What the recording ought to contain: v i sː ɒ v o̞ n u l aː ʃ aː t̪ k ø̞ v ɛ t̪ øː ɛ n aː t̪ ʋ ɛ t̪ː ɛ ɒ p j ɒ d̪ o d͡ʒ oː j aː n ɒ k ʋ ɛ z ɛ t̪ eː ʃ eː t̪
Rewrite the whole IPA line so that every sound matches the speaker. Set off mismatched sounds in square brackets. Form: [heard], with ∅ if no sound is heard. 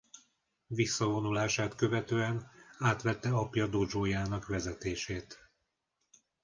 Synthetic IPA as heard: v i sː ɒ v o̞ n u l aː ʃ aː t̪ k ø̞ v ɛ t̪ øː ɛ n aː t̪ ʋ ɛ t̪ː ɛ ɒ p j ɒ d̪ o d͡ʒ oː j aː n ɒ k ʋ ɛ z ɛ t̪ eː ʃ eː t̪